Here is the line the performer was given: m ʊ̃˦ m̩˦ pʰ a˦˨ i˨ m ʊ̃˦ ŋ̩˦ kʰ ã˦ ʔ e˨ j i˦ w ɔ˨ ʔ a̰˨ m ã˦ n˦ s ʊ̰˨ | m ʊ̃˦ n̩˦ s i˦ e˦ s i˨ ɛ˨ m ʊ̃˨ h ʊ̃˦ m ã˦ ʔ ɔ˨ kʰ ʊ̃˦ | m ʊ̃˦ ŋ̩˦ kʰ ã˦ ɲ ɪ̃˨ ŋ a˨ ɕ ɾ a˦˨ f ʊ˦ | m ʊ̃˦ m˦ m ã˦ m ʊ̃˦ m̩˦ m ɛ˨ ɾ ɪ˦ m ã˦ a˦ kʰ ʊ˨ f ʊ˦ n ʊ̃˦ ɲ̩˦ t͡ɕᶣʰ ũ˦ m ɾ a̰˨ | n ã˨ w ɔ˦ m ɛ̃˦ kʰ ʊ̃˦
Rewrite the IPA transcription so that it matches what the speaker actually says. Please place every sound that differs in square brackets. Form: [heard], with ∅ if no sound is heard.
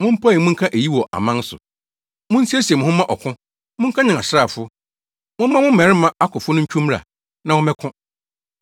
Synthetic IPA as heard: m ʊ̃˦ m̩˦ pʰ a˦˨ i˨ m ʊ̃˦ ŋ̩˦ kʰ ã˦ ʔ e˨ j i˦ w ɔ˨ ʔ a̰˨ m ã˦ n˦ s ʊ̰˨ | m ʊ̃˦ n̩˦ s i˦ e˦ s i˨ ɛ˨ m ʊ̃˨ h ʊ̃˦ m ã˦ ʔ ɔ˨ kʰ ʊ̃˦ | m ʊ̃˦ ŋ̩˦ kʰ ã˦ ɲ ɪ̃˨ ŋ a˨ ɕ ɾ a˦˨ f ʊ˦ | m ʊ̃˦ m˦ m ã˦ m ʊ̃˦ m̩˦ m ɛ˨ ɾ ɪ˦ m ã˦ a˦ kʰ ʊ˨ f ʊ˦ n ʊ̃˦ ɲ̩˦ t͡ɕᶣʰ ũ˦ m ɾ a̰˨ | n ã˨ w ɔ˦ m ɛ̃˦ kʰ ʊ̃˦